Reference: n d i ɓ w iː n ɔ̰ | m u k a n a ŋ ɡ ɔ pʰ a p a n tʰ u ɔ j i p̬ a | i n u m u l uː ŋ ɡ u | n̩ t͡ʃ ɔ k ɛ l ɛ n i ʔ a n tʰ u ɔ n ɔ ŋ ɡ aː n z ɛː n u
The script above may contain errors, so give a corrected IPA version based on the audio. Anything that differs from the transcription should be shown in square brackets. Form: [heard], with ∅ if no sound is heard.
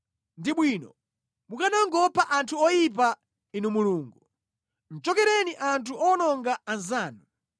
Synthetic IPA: n d i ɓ w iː n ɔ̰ | m u k a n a ŋ ɡ ɔ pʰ a [ʔ] a n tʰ u ɔ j i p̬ a | i n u m u l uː ŋ ɡ u | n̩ t͡ʃ ɔ k ɛ [ɾ] ɛ n i ʔ a n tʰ u ɔ n ɔ ŋ ɡ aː n z [aː] n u